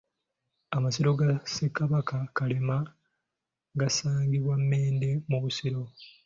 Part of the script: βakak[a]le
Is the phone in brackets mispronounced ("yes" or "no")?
no